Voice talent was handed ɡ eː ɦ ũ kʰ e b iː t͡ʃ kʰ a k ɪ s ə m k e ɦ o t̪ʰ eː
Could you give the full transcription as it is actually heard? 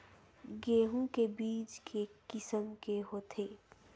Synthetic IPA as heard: ɡ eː ɦ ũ k e b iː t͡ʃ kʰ e k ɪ s ə m k e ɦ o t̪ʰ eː

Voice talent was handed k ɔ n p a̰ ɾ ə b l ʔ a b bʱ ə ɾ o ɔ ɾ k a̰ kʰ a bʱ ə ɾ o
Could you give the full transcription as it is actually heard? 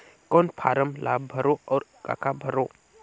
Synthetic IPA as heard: k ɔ n pʰ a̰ ɾ ə m l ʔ a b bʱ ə ɾ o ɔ ɾ k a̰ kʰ a bʱ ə ɾ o

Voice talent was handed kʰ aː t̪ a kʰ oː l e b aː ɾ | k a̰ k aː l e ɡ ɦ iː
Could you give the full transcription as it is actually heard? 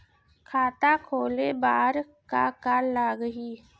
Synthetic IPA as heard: kʰ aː t̪ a kʰ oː l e b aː ɾ | k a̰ k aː l a ɡ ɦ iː

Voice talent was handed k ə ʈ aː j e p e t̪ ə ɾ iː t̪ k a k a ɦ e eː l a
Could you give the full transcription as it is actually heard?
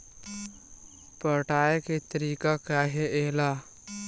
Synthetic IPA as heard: p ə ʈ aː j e k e t̪ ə ɾ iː k a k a ɦ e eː l a

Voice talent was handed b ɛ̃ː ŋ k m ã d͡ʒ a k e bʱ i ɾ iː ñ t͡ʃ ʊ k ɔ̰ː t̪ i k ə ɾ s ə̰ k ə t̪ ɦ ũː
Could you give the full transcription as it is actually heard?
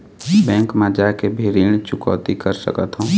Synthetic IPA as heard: b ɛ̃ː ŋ k m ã d͡ʒ a k e bʱ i ɾ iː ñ t͡ʃ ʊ k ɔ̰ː t̪ i k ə ɾ s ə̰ k ə t̪ ɦ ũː

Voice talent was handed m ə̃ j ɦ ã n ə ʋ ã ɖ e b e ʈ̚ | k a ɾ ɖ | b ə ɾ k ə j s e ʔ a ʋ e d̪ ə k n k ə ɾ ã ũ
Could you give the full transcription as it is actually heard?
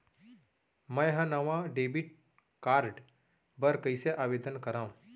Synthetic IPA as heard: m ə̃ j ɦ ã n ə ʋ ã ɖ e b i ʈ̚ | k a ɾ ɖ | b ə ɾ k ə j s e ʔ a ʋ e d̪ ə n k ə ɾ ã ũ

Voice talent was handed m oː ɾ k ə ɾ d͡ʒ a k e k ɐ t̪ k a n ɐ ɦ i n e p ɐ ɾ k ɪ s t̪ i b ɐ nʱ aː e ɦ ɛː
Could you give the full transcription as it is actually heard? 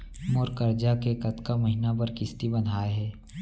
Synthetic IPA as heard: m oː ɾ k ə ɾ d͡ʒ a k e k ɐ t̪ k a m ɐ ɦ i n a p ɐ ɾ k ɪ s t̪ i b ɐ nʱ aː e ɦ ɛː

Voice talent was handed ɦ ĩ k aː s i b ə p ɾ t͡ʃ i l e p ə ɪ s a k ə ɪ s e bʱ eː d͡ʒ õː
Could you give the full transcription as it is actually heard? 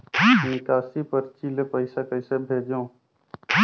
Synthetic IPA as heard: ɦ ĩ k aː s i p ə ɾ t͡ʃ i l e p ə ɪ s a k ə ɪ s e bʱ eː d͡ʒ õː

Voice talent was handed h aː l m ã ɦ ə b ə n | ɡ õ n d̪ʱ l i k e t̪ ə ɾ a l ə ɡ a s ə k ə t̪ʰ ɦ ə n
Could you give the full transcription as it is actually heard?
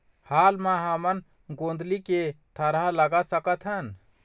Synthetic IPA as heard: h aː l m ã ɦ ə m ə n | ɡ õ n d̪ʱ l i k e t̪ʰ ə ɾ a l ə ɡ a s ə k ə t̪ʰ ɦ ə n

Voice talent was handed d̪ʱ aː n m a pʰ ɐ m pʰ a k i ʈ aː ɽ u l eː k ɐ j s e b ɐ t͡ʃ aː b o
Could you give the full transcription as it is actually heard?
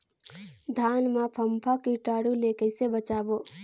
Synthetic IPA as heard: d̪ʱ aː n m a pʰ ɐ m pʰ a k i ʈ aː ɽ u l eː k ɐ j s e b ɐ t͡ʃ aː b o

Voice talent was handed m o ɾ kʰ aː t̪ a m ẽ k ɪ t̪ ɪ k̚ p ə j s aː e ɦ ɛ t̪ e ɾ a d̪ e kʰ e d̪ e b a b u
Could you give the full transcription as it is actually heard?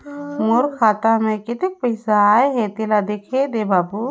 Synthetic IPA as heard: m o ɾ kʰ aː t̪ a m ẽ k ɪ t̪ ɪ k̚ p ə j s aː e ɦ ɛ t̪ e l a d̪ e kʰ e d̪ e b a b u

